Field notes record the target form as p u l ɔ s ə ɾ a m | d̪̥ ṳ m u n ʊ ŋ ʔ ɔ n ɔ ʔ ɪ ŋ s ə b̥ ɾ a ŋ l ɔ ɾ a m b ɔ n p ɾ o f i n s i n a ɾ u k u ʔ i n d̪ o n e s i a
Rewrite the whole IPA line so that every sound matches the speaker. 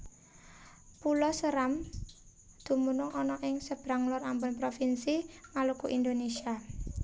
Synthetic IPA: p u l ɔ s ə ɾ a m | d̪̥ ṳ m u n ʊ ŋ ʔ ɔ n ɔ ʔ ɪ ŋ s ə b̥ ɾ a ŋ l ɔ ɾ a m b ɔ n p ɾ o f i n s i m a l u k u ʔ i n d̪ o n e s i a